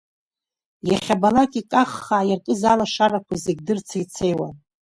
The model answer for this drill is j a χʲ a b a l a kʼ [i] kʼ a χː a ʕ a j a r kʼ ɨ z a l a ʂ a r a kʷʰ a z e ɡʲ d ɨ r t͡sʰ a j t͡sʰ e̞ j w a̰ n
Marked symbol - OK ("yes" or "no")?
yes